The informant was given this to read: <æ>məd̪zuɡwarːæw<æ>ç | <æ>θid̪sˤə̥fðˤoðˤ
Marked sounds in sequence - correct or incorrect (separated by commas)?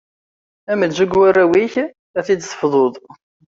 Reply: correct, incorrect, correct